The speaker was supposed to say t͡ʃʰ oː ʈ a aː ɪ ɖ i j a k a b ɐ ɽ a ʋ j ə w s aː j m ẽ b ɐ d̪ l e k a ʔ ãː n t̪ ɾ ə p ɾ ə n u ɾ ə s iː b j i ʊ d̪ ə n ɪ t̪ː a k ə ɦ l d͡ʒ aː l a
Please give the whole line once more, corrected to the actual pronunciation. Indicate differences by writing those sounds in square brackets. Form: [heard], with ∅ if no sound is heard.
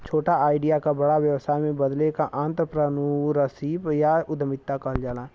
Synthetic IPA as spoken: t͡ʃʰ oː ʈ a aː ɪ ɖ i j a k a b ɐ ɽ a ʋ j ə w s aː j m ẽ b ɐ d̪ l e k a ʔ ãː n t̪ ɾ ə p ɾ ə n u ɾ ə s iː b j [a] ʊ d̪ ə [m] ɪ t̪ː a k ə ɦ l d͡ʒ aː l a